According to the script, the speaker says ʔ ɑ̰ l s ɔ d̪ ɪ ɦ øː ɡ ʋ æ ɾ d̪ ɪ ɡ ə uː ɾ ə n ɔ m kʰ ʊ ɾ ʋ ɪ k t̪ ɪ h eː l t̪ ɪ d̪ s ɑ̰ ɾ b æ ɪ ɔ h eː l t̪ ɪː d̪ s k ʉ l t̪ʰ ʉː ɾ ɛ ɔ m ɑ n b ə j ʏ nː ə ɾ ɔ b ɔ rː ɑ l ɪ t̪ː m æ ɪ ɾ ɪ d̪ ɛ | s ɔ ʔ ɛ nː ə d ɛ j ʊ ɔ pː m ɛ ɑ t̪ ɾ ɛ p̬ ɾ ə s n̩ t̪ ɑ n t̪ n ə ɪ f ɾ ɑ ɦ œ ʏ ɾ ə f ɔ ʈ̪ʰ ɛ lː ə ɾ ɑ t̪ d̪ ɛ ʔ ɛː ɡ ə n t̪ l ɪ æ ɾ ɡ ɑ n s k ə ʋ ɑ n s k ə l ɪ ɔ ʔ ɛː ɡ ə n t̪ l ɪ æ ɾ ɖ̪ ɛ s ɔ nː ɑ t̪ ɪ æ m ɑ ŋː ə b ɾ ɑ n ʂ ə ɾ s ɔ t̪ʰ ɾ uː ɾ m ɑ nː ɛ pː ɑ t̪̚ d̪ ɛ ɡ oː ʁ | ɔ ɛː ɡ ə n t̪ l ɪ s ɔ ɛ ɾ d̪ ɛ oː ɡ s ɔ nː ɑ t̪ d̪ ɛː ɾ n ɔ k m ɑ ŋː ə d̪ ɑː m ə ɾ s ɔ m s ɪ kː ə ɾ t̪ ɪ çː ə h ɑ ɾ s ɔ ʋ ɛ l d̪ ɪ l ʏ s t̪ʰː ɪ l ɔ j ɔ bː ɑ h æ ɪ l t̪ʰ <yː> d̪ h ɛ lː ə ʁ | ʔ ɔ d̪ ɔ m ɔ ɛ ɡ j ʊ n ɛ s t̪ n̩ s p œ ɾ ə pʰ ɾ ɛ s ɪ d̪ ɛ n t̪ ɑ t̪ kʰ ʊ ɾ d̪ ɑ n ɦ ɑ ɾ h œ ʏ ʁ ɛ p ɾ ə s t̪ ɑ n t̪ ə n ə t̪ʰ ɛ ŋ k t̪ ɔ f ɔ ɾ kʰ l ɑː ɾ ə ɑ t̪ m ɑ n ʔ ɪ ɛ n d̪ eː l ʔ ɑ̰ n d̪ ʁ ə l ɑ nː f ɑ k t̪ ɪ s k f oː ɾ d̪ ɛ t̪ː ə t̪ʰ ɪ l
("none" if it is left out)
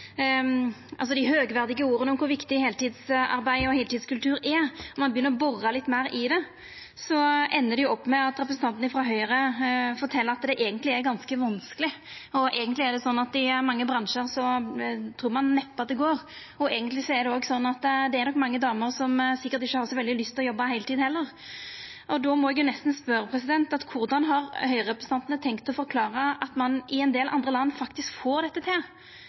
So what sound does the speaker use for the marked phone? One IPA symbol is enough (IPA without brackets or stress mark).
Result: iː